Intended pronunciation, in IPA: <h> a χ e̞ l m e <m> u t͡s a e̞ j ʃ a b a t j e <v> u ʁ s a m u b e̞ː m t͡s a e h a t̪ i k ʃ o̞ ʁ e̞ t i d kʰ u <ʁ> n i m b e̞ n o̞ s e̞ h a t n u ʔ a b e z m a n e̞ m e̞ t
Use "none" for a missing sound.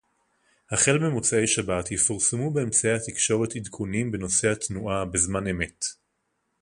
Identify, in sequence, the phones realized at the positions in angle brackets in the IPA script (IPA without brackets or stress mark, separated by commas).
h, m, f, none